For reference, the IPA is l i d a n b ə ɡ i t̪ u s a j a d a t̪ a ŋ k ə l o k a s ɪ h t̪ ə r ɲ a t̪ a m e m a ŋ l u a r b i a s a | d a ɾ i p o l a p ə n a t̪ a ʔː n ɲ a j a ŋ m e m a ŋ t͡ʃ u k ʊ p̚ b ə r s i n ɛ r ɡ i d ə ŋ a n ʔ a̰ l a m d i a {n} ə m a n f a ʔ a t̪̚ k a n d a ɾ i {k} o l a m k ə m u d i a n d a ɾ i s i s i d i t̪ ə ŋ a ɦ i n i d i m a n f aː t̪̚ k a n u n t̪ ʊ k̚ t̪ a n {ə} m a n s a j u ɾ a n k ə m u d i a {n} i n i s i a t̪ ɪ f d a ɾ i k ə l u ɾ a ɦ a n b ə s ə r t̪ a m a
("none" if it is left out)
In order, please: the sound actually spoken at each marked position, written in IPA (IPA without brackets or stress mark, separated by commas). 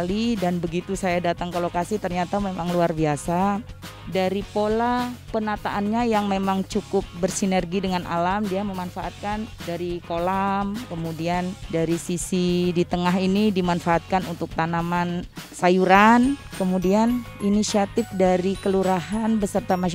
m, k, a, n